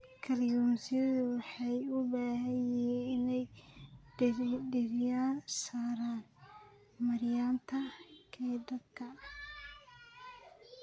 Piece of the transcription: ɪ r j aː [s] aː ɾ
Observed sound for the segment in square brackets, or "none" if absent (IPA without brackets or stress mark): s